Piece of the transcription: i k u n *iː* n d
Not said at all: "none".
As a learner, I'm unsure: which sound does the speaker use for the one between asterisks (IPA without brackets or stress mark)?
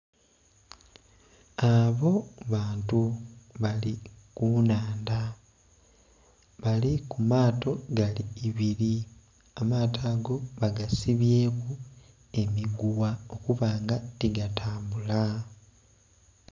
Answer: aː